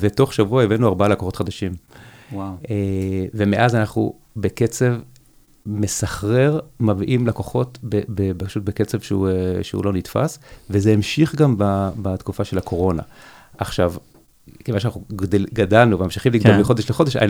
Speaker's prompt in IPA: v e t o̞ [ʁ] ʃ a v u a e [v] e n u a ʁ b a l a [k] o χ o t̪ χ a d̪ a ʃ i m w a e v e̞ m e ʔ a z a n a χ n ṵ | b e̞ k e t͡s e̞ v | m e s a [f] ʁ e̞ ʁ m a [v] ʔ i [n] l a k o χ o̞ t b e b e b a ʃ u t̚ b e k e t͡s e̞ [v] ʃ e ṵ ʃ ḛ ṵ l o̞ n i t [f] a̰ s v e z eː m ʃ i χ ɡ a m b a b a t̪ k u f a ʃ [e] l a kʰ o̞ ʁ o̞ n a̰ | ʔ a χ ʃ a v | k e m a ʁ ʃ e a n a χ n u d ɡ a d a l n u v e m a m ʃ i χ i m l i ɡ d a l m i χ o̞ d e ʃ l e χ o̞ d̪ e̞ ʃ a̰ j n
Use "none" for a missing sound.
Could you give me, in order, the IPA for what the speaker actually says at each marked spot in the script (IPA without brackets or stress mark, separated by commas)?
χ, v, k, χ, v, m, v, f, e